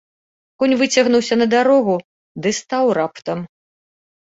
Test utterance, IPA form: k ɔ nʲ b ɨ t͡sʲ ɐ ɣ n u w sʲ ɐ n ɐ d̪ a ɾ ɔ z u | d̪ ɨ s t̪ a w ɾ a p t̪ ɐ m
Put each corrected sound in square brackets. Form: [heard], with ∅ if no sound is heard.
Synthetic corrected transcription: k ɔ nʲ [v] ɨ t͡sʲ ɐ ɣ n u w sʲ ɐ n ɐ d̪ a ɾ ɔ [ɣ] u | d̪ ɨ s t̪ a w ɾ a p t̪ ɐ m

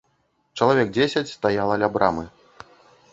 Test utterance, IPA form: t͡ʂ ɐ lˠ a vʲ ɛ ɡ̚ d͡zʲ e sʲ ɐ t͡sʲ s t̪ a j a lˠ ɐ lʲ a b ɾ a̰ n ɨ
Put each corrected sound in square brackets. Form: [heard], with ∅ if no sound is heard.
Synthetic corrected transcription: t͡ʂ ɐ lˠ a vʲ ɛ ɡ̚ d͡zʲ e sʲ ɐ t͡sʲ s t̪ a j a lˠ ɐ lʲ a b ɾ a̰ [m] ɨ

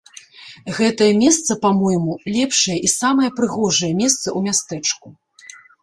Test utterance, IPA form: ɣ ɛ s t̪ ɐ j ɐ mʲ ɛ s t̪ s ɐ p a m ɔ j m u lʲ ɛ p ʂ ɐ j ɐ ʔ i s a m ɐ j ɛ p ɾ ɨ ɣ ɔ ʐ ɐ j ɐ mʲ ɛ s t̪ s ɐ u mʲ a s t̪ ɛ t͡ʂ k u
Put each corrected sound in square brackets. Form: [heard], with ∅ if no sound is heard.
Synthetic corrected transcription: ɣ ɛ [∅] t̪ ɐ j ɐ mʲ ɛ s t̪ s ɐ p a m ɔ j m u lʲ ɛ p ʂ ɐ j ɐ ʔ i s a m ɐ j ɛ p ɾ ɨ ɣ ɔ ʐ ɐ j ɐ mʲ ɛ s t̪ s ɐ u mʲ a s t̪ ɛ t͡ʂ k u

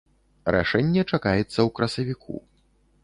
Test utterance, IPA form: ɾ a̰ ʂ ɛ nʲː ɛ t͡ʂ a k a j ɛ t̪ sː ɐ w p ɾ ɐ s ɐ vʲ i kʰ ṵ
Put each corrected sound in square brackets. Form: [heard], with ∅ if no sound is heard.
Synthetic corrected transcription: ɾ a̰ ʂ ɛ nʲː ɛ t͡ʂ a k a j ɛ t̪ sː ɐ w [k] ɾ ɐ s ɐ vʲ i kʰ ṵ

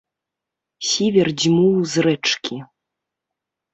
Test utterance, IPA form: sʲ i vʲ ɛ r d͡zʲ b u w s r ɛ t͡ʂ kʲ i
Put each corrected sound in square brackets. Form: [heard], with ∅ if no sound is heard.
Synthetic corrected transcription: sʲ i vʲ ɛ r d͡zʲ [m] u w [z] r ɛ t͡ʂ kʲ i

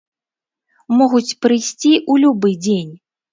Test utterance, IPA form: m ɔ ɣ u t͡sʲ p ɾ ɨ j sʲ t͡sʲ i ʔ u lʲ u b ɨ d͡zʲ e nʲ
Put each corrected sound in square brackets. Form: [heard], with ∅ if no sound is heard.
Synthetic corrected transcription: m ɔ ɣ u t͡sʲ p ɾ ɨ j sʲ t͡sʲ i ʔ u lʲ u b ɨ d͡zʲ e nʲ

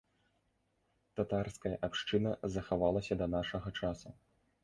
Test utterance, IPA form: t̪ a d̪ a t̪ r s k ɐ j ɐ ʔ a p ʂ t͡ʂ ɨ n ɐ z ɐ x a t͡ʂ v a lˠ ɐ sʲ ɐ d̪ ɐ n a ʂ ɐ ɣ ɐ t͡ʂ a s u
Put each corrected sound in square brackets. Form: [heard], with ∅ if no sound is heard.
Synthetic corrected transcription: t̪ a [t̪] a [∅] r s k ɐ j ɐ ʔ a p ʂ t͡ʂ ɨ n ɐ z ɐ x a [∅] v a lˠ ɐ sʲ ɐ d̪ ɐ n a ʂ ɐ ɣ ɐ t͡ʂ a s u

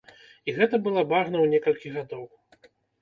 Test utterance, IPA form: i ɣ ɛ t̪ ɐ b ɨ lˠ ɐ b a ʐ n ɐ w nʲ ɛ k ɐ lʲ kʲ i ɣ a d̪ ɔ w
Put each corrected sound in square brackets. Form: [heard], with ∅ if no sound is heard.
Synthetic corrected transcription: i ɣ ɛ t̪ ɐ b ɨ lˠ [a] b a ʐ n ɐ w nʲ ɛ k ɐ lʲ kʲ i ɣ a d̪ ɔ w

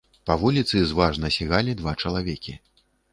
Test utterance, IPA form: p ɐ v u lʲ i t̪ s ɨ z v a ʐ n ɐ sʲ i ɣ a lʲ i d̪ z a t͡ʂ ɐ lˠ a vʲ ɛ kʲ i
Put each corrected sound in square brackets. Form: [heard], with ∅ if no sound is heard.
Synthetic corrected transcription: p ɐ v u lʲ i t̪ s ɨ z v a ʐ n ɐ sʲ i ɣ a lʲ i d̪ [v] a t͡ʂ ɐ lˠ a vʲ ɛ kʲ i

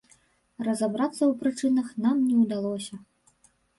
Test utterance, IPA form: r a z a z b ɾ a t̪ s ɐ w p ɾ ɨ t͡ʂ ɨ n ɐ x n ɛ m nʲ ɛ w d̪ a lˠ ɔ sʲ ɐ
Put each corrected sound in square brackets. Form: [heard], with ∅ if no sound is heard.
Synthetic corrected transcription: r [ɐ] z a [∅] b ɾ a t̪ [sː] ɐ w p ɾ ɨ t͡ʂ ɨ n ɐ x n [a] m nʲ ɛ w d̪ a lˠ ɔ sʲ ɐ

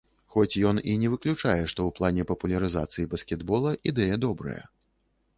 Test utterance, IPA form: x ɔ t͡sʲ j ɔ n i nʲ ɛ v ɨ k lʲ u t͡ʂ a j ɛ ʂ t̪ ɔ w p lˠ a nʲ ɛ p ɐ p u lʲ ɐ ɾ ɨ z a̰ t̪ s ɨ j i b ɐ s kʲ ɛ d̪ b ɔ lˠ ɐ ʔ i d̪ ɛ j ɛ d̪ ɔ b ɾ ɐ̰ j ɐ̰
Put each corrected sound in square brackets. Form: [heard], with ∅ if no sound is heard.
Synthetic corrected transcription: x ɔ t͡sʲ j ɔ n i nʲ ɛ v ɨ k lʲ u t͡ʂ a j ɛ ʂ t̪ ɔ w p lˠ a nʲ ɛ p ɐ p u lʲ ɐ ɾ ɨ z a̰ t̪ s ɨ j i b ɐ s kʲ ɛ d̪ b ɔ lˠ ɐ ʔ i d̪ ɛ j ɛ d̪ ɔ b ɾ ɐ̰ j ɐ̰

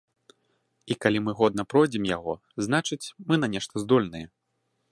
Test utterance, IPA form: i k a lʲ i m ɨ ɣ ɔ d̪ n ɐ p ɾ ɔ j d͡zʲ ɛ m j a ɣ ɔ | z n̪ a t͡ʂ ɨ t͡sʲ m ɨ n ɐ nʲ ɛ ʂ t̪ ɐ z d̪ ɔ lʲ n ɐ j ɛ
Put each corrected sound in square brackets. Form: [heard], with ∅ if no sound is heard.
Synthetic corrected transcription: i k a lʲ i m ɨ ɣ ɔ d̪ n ɐ p ɾ ɔ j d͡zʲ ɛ m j a ɣ ɔ | z n̪ a t͡ʂ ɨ t͡sʲ m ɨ n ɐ nʲ ɛ ʂ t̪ ɐ z d̪ ɔ lʲ n ɐ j ɛ

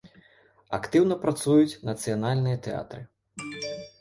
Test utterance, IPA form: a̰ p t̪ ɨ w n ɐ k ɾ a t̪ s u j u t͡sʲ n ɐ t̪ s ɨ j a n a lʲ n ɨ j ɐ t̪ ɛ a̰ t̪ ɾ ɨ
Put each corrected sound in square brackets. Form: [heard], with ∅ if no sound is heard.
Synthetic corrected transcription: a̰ [k] t̪ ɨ w n ɐ [p] ɾ a t̪ s u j u t͡sʲ n ɐ t̪ s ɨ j a n a lʲ n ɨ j ɐ t̪ ɛ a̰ t̪ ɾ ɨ

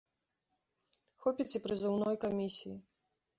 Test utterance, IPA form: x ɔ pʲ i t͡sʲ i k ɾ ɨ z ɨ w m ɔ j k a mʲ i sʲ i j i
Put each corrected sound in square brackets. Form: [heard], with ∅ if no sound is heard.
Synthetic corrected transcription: x ɔ pʲ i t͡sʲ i [p] ɾ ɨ z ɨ w [n] ɔ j k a mʲ i sʲ i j i

